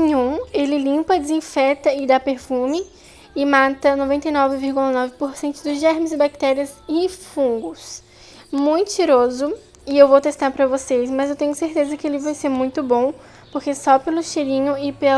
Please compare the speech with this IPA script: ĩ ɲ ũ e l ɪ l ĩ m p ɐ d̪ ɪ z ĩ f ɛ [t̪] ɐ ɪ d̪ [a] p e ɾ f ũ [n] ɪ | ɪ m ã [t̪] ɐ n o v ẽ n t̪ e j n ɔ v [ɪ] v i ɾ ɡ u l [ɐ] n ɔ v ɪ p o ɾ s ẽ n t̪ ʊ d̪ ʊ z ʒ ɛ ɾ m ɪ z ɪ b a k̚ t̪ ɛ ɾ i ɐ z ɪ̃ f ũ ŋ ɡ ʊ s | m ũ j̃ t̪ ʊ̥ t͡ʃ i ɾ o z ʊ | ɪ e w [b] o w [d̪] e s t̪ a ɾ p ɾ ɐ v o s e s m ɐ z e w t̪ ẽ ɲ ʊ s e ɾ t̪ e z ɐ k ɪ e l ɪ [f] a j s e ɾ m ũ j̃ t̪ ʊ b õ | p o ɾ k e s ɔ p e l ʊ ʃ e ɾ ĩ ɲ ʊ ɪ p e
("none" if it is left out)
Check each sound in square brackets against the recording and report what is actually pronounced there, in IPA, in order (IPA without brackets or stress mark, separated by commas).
t̪, a, m, t̪, ɪ, ɐ, v, t̪, v